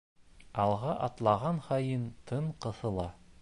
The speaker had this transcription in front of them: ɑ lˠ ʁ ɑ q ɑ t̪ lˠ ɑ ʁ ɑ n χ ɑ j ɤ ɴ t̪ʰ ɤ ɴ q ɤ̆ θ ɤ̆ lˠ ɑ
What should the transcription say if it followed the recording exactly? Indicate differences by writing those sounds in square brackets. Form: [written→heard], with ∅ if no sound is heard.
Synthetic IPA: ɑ lˠ ʁ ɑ [q→ʔ] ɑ t̪ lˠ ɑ ʁ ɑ n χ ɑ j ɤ [ɴ→n] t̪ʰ ɤ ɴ q ɤ̆ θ ɤ̆ lˠ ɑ

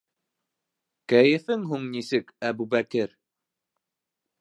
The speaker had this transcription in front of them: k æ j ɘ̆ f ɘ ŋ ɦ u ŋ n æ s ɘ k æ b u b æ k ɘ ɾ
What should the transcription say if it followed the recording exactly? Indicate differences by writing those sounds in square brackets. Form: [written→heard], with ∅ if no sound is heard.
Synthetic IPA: k æ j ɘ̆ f ɘ ŋ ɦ u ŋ n [æ→i] s ɘ k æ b u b æ k ɘ ɾ

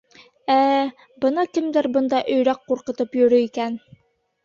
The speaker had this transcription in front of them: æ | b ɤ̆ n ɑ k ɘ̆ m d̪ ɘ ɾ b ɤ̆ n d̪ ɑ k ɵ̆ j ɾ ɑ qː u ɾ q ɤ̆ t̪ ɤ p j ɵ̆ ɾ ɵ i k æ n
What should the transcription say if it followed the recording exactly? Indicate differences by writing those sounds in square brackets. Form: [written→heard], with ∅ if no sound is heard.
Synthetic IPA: æ | b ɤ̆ n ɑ k ɘ̆ m d̪ ɘ ɾ b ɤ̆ n d̪ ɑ [k→ʔ] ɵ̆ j ɾ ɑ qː u ɾ q ɤ̆ t̪ ɤ p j ɵ̆ ɾ ɵ i k æ n

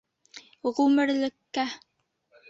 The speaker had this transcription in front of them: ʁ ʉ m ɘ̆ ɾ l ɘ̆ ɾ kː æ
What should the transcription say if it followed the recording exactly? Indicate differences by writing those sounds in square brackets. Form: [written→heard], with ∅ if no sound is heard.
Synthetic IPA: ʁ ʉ m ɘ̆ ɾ l ɘ̆ [ɾ→∅] kː æ

